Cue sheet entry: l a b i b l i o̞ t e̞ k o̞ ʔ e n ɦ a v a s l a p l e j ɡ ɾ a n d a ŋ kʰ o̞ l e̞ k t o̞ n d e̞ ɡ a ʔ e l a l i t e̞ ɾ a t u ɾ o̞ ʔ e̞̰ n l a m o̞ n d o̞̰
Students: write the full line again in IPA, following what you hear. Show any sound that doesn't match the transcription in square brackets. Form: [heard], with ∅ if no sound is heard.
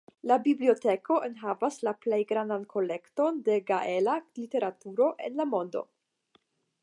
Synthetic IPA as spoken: l a b i b l i o̞ t e̞ k o̞ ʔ e n ɦ a v a s l a p l e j ɡ ɾ a n d a [n] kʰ o̞ l e̞ k t o̞ n d e̞ ɡ a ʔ e l a l i t e̞ ɾ a t u ɾ o̞ ʔ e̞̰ n l a m o̞ n d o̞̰